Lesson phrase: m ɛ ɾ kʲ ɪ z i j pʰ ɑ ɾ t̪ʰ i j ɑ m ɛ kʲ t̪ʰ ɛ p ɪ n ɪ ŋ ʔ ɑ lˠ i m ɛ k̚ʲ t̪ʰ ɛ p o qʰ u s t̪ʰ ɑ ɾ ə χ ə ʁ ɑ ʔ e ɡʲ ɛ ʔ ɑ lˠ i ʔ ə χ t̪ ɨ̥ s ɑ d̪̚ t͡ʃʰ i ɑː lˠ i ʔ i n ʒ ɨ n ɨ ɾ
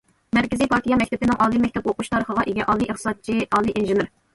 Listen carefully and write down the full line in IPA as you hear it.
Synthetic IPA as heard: m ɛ ɾ kʲ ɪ z i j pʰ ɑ ɾ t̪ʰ i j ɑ m ɛ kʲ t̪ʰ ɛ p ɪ n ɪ ŋ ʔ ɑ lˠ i m ɛ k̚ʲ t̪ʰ ɛ p o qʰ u ʃ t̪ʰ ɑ ɾ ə χ ə ʁ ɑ ʔ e ɡʲ ɛ ʔ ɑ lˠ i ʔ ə χ t̪ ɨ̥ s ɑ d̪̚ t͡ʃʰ i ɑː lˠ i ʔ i n ʒ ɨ n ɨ ɾ